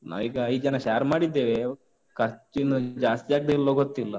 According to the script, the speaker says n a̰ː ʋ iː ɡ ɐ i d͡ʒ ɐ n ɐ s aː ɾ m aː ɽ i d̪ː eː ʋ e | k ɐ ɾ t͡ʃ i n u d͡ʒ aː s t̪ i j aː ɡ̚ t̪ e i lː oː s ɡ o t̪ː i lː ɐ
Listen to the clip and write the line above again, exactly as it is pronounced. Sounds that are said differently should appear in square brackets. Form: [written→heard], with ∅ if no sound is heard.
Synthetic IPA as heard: n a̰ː ʋ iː ɡ ɐ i d͡ʒ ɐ n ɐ [s→ʃ] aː ɾ m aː ɽ i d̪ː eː ʋ e | k ɐ ɾ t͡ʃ i n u d͡ʒ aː s t̪ i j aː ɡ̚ [t̪→d̪] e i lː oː [s→∅] ɡ o t̪ː i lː ɐ